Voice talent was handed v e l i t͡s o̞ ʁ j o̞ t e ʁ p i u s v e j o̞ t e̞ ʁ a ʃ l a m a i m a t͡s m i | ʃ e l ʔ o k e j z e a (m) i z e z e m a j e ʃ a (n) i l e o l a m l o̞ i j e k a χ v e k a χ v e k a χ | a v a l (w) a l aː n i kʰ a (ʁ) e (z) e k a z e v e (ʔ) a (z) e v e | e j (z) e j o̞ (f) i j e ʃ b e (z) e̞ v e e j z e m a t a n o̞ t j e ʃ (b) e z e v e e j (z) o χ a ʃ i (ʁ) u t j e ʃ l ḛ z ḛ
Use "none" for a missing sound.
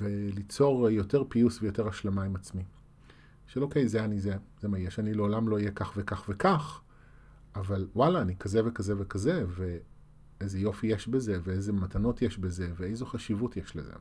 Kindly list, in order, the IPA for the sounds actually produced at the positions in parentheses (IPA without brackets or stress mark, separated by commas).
n, n, w, z, v, k, z, z, f, z, b, z, v